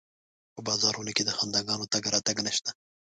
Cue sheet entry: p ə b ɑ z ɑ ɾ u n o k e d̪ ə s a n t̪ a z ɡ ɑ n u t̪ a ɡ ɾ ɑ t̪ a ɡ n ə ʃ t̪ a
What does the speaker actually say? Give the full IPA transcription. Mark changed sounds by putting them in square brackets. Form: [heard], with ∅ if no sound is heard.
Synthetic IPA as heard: p ə b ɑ z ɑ ɾ u n o k e d̪ ə [x] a n [d̪] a [∅] ɡ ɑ n [o] t̪ a ɡ ɾ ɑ t̪ a ɡ n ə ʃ t̪ a

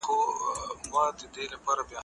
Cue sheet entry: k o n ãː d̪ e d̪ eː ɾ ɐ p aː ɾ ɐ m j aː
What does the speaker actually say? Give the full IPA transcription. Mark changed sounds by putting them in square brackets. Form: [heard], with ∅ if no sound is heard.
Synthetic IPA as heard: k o [m] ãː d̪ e d̪ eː [l] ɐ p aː ɾ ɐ [b] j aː

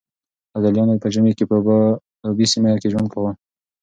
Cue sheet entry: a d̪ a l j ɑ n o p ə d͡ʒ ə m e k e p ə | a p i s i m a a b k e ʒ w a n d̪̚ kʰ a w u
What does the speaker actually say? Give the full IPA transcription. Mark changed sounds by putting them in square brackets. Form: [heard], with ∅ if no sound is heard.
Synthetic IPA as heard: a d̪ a l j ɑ n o p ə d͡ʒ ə m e k e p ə | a [b] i s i m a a [∅] k e ʒ w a n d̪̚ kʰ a w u

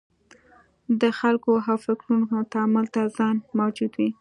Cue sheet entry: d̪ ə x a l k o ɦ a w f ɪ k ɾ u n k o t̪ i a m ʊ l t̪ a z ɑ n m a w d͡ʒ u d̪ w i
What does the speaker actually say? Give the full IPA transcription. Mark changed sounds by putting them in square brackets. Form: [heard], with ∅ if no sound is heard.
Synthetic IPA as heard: d̪ ə x a l k o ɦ a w f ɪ k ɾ u n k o t̪ [a] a m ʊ l t̪ a z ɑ n m a w d͡ʒ u d̪ w i

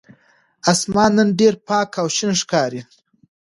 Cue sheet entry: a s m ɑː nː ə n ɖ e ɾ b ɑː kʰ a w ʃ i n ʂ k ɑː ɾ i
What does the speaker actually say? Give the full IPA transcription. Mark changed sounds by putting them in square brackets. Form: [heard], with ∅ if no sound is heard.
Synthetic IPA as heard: a s m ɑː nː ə n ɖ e ɾ [p] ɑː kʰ a w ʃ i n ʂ k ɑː ɾ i

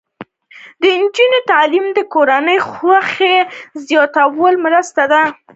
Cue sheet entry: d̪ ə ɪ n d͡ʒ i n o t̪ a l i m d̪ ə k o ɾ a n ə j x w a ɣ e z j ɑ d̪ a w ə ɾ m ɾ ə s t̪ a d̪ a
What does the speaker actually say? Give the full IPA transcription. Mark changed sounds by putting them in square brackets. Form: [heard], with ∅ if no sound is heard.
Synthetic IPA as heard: d̪ ə ɪ n d͡ʒ i n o t̪ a l i m d̪ ə k o ɾ a n ə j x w a [x] e z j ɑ [t̪] a w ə [l] m ɾ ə s t̪ a d̪ a

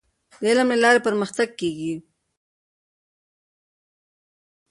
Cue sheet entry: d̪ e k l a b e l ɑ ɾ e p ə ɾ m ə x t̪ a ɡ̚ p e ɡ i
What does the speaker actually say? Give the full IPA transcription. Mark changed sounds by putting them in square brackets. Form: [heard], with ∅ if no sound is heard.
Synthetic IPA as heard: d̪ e [∅] l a [m] e l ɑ ɾ e p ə ɾ m ə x t̪ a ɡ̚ [k] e ɡ i

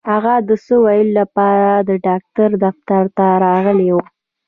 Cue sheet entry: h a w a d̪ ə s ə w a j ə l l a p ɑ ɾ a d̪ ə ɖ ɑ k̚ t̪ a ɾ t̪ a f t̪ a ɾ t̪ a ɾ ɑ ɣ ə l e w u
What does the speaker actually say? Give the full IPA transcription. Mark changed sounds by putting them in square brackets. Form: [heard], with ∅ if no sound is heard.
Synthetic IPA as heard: h a [ɣ] a d̪ ə s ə w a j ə l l a p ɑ ɾ a d̪ ə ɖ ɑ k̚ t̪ a ɾ [d̪] a f t̪ a ɾ t̪ a ɾ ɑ ɣ ə l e w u

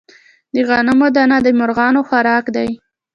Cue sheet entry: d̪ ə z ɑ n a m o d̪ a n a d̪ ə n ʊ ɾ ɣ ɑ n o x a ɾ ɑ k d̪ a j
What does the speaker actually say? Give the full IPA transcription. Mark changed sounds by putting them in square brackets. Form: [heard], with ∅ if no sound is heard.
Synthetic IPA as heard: d̪ ə [ɣ] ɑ n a m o d̪ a n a d̪ ə [m] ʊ ɾ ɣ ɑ n o x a ɾ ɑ k d̪ a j

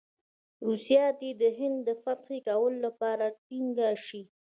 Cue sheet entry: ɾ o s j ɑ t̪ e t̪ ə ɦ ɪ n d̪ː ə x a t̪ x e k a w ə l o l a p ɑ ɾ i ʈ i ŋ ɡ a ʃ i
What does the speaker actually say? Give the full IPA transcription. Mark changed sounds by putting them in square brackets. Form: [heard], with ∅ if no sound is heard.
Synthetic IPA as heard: ɾ [u] s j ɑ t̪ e [d̪] ə ɦ ɪ n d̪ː ə [f] a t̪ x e k a w ə l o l a p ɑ ɾ [a] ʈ i ŋ ɡ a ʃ i

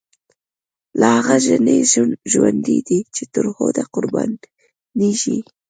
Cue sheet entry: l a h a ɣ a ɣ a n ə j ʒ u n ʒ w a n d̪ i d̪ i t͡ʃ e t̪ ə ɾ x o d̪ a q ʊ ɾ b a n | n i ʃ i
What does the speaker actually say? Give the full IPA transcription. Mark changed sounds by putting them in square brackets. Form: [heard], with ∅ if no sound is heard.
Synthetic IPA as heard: l a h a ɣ a [ʒ] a n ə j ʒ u n ʒ w a n d̪ i d̪ i t͡ʃ e t̪ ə ɾ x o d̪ a q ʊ ɾ b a n | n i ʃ i

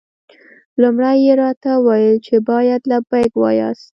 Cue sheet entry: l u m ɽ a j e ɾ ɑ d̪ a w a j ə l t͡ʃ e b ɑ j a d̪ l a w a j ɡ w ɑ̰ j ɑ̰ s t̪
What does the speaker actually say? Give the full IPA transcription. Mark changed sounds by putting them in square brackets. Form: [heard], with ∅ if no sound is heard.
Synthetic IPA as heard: l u m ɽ a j e ɾ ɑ [t̪] a w a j ə l t͡ʃ e b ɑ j a d̪ l a [b] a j ɡ w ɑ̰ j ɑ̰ s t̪

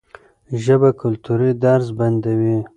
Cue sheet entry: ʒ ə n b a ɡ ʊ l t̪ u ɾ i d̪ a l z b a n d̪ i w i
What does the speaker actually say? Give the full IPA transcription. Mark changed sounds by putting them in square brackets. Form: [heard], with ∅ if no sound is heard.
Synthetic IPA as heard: ʒ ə [∅] b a [k] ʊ l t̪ u ɾ i d̪ a [ɾ] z b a n d̪ [a] w i

